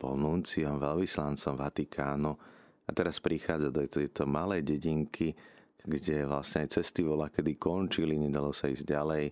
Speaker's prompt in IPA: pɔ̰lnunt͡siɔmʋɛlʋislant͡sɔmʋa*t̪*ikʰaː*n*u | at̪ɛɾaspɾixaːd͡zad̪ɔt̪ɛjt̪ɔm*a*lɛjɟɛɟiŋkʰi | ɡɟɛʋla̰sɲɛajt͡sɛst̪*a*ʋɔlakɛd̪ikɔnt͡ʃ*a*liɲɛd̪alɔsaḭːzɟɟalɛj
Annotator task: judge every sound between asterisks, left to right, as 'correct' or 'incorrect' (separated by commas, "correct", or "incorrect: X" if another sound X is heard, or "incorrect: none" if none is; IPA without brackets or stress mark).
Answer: correct, correct, correct, incorrect: i, incorrect: i